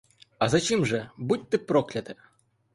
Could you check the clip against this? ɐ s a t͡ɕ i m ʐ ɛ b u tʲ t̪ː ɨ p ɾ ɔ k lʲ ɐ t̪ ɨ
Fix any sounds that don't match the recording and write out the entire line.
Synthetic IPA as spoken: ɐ z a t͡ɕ i m ʐ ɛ b u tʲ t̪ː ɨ p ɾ ɔ k lʲ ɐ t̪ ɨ